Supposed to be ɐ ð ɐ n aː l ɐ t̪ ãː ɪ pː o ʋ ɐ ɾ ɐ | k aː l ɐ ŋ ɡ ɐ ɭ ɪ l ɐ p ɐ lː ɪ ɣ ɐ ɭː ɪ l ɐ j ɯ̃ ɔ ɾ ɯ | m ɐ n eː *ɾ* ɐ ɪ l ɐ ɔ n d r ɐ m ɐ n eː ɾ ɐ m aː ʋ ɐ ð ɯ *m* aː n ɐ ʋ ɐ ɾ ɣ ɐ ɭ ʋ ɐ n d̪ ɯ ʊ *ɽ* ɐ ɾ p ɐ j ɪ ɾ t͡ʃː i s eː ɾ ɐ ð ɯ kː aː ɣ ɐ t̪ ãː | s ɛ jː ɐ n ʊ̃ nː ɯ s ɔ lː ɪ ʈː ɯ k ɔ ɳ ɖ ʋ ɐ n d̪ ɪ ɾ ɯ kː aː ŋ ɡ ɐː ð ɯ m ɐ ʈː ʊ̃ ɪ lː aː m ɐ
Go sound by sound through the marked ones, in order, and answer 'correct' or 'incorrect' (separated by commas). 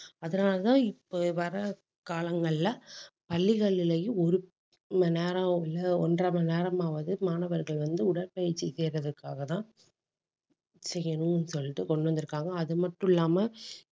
correct, correct, correct